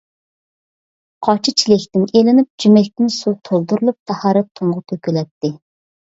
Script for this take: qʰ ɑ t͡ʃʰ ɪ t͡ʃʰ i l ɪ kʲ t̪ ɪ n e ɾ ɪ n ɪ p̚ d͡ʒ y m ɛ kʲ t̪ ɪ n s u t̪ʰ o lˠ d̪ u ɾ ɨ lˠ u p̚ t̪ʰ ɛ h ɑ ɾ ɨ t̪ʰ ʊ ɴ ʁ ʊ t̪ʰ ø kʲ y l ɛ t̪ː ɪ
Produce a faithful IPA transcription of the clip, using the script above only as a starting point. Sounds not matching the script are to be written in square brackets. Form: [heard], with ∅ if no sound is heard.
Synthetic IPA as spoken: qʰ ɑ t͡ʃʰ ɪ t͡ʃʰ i l ɪ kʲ t̪ ɪ n e [l] ɪ n ɪ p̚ d͡ʒ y m ɛ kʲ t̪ ɪ n s u t̪ʰ o lˠ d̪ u ɾ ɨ lˠ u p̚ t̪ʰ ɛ h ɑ ɾ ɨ t̪ʰ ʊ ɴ ʁ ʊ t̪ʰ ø kʲ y l ɛ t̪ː ɪ